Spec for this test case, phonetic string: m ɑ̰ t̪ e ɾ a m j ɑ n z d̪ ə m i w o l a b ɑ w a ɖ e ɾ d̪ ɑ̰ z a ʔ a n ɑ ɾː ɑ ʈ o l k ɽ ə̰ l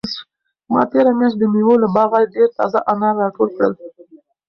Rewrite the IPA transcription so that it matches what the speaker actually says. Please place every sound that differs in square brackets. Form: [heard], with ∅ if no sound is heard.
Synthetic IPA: m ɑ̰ t̪ e ɾ a m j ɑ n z d̪ ə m i w o l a b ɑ [ɣ] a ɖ e ɾ [t̪] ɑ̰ z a ʔ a n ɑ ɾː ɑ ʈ o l k ɽ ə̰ l